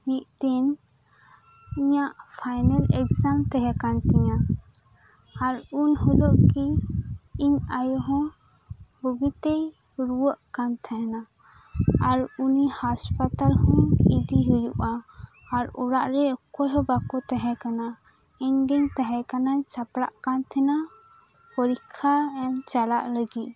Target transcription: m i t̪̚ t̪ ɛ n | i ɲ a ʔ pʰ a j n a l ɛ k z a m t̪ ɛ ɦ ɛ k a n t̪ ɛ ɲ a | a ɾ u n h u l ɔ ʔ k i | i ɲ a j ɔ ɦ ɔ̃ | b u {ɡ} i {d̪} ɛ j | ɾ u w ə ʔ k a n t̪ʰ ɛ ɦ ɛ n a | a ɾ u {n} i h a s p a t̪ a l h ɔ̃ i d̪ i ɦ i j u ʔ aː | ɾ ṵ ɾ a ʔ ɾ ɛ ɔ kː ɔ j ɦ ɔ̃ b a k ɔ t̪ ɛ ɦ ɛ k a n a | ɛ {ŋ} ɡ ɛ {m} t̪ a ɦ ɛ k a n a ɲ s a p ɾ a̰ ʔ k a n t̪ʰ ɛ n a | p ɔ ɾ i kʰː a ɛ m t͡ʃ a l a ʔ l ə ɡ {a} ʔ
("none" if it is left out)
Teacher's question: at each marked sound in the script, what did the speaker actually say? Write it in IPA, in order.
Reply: ɡ, t̪, n, ɲ, ɲ, i

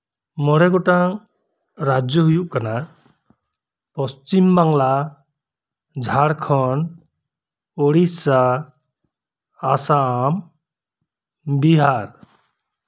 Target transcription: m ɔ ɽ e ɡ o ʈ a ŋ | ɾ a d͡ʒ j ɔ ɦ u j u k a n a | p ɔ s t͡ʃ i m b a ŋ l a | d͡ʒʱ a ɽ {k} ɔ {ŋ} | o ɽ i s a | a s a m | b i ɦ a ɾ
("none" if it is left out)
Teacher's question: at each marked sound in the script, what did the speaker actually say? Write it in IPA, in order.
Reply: kʰ, n

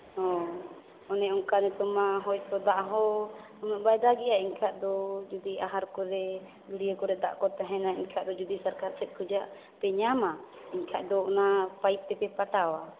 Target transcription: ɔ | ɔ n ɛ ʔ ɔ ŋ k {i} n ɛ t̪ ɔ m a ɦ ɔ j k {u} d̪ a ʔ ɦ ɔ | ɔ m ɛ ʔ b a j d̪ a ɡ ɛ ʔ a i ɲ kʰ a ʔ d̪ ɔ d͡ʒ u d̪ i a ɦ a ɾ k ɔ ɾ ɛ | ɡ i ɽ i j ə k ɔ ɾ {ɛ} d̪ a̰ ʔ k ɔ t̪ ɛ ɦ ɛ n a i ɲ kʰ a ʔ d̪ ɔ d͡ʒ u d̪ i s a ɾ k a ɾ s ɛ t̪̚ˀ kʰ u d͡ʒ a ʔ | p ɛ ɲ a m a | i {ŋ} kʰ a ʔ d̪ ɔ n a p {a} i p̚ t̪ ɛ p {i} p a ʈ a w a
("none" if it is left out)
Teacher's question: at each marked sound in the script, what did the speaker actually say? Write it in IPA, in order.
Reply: a, ɔ, ɛ, ɲ, a, ɛ

